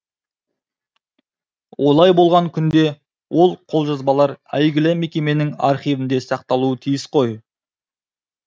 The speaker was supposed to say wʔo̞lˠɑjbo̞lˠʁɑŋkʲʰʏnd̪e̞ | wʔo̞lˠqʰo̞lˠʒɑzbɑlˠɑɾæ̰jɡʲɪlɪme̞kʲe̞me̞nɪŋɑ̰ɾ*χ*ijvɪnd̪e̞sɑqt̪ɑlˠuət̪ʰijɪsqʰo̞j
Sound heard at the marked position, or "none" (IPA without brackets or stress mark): χ